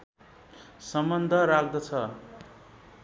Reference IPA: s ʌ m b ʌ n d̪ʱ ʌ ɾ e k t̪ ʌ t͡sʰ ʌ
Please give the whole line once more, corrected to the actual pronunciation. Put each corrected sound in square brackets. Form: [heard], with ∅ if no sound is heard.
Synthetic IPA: s ʌ m b ʌ n d̪ʱ ʌ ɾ [a] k [d̪] ʌ t͡sʰ ʌ